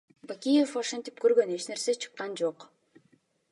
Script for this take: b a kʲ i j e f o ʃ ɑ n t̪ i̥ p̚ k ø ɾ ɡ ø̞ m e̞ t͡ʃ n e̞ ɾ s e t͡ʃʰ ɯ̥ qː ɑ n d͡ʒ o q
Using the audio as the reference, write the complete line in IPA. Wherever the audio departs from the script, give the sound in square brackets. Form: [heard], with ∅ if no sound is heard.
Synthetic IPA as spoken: b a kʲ i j e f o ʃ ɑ n t̪ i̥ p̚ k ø ɾ ɡ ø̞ [n] e̞ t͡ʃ n e̞ ɾ s e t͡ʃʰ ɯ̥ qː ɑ n d͡ʒ o q